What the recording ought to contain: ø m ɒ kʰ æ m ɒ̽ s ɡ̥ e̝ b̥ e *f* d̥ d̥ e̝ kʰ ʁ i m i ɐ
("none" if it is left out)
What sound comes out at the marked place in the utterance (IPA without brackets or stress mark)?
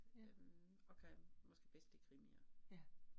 s